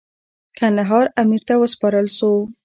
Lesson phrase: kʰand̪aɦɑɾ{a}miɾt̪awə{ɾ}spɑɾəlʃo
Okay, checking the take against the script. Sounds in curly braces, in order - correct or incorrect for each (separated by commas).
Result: correct, incorrect